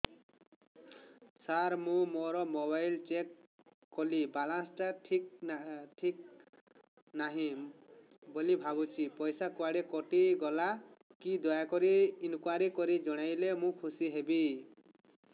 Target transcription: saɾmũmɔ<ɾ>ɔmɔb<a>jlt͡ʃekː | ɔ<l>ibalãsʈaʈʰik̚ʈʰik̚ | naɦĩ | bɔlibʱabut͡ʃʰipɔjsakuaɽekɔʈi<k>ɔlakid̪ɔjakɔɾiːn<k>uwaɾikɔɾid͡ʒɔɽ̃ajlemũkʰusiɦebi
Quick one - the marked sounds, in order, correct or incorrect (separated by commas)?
correct, correct, correct, incorrect, correct